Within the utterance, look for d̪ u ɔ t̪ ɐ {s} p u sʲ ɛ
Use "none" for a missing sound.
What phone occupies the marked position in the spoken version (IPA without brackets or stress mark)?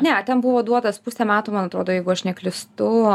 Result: s